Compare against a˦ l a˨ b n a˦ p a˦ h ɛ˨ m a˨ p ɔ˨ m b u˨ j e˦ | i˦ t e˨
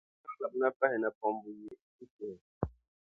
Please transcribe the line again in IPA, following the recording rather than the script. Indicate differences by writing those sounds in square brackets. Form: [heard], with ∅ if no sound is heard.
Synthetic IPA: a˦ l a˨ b n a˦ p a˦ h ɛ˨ [n] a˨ p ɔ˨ m b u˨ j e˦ | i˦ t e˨